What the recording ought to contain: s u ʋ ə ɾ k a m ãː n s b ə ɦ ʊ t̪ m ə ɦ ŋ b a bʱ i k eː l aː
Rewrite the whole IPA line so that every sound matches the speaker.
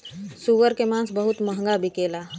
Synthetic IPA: s u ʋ ə ɾ k e m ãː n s b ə ɦ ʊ t̪ m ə ɦ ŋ ɡ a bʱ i k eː l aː